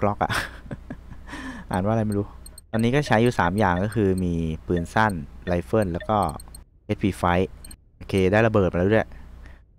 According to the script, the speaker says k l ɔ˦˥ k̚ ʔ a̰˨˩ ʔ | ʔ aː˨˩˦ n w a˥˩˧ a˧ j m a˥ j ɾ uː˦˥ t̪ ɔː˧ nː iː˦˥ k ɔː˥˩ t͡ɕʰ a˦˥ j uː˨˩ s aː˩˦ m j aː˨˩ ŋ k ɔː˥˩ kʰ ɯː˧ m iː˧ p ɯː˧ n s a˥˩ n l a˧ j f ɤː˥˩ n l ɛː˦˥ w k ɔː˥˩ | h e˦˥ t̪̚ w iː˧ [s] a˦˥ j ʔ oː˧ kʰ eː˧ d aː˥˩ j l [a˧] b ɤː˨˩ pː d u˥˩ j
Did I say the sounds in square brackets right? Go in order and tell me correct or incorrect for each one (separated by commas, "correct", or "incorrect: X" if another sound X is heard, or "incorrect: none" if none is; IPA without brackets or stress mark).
incorrect: f, correct